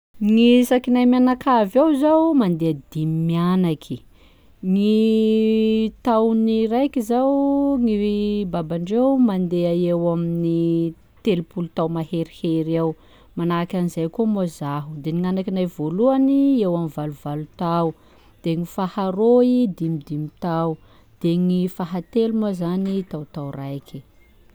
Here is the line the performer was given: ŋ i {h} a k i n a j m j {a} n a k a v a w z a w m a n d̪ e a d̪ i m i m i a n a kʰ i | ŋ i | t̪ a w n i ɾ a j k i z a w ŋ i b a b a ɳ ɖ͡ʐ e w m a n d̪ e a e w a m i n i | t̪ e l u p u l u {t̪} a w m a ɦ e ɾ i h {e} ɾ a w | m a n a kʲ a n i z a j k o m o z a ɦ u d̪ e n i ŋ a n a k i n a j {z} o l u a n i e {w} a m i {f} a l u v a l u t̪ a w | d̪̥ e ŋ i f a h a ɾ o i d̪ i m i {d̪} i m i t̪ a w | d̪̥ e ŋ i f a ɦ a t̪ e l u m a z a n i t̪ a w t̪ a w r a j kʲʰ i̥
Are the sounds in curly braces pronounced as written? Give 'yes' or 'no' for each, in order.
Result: no, yes, yes, yes, no, yes, no, yes

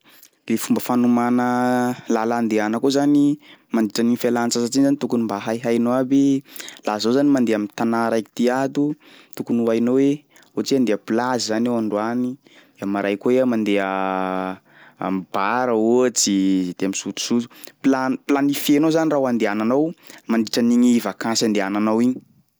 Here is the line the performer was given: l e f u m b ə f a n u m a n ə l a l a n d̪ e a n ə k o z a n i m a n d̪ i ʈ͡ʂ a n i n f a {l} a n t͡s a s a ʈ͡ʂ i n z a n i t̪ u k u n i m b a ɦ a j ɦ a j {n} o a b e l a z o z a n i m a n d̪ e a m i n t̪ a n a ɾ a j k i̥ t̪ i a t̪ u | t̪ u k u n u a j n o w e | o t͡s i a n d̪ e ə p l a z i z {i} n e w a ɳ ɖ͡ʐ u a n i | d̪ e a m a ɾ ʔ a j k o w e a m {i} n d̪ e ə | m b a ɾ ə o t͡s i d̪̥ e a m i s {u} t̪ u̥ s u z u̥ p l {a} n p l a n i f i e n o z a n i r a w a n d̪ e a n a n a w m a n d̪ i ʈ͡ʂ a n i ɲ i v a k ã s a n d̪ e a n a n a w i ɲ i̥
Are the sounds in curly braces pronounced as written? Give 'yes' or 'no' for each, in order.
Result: yes, yes, no, no, yes, yes

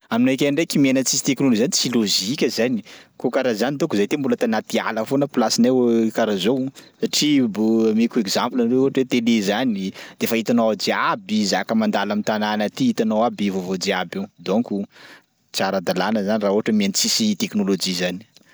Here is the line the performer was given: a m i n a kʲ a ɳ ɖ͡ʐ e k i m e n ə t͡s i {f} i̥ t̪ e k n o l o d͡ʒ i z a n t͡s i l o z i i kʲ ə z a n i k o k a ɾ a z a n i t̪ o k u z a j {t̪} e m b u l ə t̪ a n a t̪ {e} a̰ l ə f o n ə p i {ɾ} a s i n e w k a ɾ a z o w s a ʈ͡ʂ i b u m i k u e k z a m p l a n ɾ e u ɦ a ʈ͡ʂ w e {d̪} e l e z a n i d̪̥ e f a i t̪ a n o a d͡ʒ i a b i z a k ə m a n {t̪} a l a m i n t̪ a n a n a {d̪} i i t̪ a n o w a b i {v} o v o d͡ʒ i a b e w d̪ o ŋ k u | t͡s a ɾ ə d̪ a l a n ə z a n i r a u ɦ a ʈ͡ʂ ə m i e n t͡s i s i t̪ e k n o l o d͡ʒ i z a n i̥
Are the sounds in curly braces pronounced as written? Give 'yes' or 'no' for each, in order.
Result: no, yes, no, no, no, no, no, yes

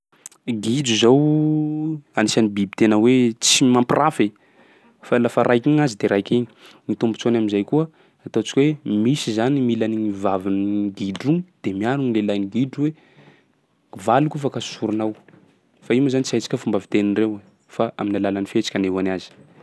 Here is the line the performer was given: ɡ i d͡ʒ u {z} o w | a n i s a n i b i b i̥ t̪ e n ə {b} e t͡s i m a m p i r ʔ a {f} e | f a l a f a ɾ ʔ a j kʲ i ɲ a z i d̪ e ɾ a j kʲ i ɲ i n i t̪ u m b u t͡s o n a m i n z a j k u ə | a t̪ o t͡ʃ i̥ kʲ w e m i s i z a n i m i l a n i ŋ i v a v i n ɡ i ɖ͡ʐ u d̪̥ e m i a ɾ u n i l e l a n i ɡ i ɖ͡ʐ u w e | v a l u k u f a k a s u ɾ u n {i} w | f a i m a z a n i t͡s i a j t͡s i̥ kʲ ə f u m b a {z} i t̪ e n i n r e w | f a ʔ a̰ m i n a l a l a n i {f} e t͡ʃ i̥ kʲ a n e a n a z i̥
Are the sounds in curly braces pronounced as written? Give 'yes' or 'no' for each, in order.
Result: yes, no, yes, no, no, yes

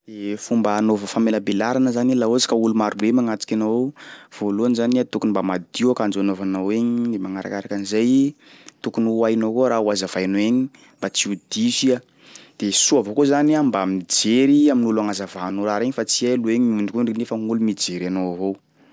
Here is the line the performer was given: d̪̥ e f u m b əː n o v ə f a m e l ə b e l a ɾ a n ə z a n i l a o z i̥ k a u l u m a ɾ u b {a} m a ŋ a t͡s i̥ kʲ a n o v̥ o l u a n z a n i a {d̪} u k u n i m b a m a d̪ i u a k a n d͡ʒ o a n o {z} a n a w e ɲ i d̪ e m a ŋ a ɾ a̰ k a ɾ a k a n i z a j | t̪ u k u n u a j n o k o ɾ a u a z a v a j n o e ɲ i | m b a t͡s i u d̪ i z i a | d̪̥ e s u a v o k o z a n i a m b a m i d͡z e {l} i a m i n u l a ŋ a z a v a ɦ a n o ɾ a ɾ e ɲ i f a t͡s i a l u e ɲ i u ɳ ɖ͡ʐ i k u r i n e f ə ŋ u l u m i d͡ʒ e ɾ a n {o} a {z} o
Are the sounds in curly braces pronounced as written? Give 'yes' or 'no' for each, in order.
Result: no, no, no, no, yes, no

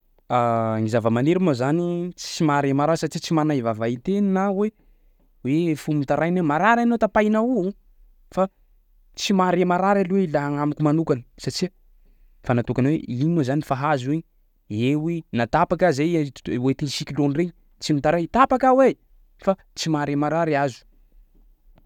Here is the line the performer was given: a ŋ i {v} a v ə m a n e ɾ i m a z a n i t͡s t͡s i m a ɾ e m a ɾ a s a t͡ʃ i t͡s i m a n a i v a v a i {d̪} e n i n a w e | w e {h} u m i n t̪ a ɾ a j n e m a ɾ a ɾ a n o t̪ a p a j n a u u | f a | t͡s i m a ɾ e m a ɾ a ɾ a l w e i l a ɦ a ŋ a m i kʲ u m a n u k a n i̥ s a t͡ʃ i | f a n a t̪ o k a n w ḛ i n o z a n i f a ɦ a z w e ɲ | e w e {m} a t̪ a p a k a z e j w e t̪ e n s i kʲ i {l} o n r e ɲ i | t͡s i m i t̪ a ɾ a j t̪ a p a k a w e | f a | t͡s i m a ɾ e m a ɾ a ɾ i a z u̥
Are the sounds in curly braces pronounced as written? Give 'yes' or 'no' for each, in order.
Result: no, no, no, no, yes

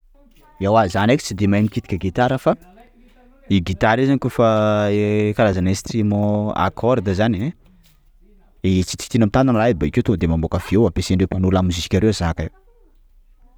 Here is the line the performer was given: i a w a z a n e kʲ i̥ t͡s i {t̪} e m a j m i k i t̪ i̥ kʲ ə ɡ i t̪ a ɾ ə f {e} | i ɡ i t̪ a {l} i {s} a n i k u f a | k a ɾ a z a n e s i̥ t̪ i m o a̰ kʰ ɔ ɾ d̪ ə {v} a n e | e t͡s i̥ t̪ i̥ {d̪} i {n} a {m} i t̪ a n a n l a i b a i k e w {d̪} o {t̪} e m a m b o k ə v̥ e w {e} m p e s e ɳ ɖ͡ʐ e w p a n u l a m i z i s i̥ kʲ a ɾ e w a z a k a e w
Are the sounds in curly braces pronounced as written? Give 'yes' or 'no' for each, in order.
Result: no, no, no, no, no, no, yes, yes, no, no, no

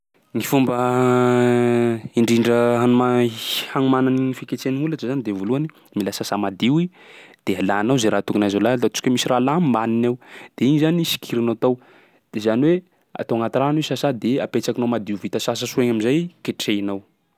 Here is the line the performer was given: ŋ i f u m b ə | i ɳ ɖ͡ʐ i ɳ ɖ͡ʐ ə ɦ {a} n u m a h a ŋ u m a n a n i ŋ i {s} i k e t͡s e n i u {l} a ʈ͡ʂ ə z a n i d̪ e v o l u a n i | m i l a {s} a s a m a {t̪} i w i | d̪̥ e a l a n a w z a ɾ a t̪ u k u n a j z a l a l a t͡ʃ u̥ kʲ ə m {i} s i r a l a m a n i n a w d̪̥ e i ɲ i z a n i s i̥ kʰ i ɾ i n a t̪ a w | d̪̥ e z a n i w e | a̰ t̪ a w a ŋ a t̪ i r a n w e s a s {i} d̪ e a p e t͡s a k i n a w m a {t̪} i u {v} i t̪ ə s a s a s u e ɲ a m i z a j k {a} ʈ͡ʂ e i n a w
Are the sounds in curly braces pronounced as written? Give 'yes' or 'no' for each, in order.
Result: yes, no, yes, yes, no, yes, no, no, yes, no

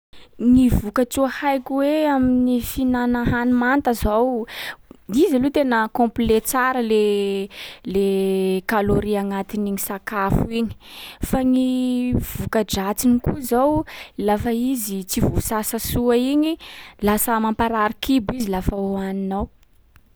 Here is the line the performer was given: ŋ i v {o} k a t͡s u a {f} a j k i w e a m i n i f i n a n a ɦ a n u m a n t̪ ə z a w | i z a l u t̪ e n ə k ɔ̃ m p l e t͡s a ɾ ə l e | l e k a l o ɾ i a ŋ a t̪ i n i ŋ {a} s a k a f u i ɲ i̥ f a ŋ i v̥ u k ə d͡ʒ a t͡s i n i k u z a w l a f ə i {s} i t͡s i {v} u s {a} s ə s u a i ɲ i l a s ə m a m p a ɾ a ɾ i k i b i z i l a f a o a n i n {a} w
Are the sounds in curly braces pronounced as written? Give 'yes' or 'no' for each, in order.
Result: no, no, no, no, yes, yes, yes

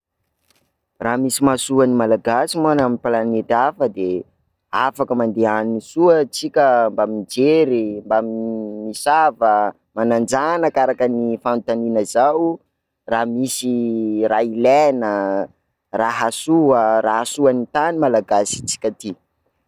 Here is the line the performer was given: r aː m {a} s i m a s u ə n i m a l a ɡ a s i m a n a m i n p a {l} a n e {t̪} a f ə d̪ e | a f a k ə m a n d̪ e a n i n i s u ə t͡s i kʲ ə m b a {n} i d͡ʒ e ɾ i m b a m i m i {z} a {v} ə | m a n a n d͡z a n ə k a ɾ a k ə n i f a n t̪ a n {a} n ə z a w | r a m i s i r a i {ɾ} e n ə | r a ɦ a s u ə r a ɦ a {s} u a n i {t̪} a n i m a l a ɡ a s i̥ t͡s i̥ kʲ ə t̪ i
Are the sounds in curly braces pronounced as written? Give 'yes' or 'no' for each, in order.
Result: no, yes, yes, no, no, yes, no, no, yes, yes

